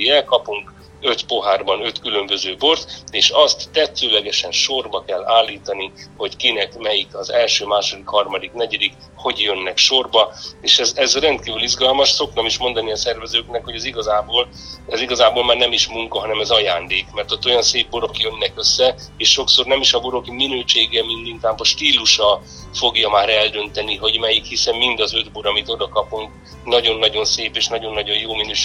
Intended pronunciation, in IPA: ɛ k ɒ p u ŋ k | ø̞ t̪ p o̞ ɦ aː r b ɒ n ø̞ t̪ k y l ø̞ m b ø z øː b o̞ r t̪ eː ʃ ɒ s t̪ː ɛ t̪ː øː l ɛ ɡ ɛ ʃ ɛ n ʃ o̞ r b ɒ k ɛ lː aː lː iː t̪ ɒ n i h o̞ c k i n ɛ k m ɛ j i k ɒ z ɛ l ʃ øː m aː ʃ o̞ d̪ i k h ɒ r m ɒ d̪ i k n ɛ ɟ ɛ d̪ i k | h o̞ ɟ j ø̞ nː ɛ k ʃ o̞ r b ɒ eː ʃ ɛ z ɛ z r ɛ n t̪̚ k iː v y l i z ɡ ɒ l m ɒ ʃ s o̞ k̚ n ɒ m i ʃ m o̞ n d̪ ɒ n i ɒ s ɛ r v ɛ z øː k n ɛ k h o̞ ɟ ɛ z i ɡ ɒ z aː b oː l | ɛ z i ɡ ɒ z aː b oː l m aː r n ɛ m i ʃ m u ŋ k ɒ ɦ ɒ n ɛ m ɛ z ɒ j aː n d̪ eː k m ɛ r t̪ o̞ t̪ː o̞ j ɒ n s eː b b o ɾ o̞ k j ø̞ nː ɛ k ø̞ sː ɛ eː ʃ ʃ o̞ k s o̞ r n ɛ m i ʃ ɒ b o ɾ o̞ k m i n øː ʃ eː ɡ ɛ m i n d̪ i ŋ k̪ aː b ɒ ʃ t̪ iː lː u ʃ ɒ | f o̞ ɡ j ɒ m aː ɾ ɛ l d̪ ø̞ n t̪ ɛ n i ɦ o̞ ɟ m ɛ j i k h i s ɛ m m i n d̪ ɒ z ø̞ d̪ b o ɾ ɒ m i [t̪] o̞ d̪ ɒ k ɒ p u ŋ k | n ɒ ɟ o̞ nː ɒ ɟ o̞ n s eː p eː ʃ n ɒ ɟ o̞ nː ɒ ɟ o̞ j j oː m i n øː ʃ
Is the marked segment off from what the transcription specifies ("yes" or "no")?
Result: no